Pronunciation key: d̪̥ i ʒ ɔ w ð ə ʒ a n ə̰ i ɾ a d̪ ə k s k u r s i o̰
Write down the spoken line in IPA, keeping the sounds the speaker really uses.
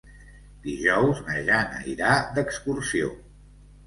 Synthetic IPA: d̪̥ i ʒ ɔ w z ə ʒ a n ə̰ i ɾ a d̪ ə k s k u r s i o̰